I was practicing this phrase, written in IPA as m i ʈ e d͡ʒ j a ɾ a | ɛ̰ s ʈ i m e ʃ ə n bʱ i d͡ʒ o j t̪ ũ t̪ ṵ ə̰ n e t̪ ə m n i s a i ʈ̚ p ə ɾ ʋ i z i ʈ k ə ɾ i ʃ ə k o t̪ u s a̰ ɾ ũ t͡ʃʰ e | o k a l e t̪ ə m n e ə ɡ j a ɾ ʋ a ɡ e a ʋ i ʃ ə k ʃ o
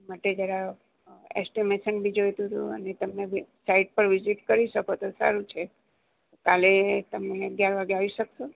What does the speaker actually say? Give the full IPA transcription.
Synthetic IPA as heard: m a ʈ e d͡ʒ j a ɾ a | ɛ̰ s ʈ i m e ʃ ə n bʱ i d͡ʒ o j t̪ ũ t̪ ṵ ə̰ n e t̪ ə m n e s a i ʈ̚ p ə ɾ ʋ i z i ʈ k ə ɾ i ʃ ə k o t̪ o s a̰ ɾ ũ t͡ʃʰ e | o k a l e t̪ ə m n e ə ɡ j a ɾ ʋ a ɡ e a ʋ i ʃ ə k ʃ o